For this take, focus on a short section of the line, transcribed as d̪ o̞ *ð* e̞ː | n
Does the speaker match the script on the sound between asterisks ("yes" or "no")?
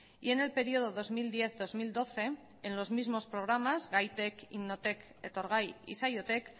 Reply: no